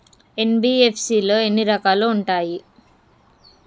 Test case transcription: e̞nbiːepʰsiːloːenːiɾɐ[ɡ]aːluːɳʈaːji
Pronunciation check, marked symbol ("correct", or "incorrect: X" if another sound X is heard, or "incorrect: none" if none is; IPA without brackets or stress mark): incorrect: k